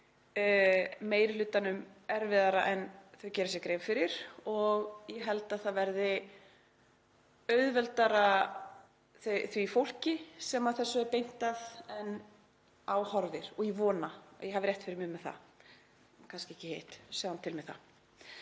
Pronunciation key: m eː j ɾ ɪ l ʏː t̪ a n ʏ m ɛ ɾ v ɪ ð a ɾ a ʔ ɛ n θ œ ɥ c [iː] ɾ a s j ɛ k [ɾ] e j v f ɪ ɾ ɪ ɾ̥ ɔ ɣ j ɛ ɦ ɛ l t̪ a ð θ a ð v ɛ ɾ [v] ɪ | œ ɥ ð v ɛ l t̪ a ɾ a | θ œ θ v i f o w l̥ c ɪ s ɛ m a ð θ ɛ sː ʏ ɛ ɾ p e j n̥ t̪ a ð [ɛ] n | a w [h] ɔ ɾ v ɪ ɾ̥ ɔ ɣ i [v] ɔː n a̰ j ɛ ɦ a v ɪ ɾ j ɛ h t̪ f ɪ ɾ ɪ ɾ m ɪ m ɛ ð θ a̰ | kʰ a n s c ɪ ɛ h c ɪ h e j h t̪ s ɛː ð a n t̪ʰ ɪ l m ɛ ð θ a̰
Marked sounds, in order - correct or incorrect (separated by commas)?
incorrect, correct, incorrect, correct, correct, correct